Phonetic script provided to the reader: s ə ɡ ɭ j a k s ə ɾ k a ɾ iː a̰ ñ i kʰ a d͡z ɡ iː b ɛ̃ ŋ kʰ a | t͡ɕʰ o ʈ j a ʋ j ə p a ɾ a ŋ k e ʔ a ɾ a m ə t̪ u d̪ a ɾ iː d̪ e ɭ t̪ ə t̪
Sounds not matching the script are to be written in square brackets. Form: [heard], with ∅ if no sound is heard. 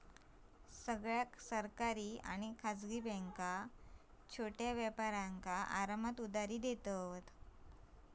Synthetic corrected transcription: s ə ɡ ɭ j a k s ə ɾ k a ɾ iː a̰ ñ i kʰ a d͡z ɡ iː b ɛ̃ ŋ [k] a | t͡ɕʰ o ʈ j a ʋ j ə p a ɾ a ŋ k [a] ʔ a ɾ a m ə t̪ u d̪ a ɾ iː d̪ e [∅] t̪ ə t̪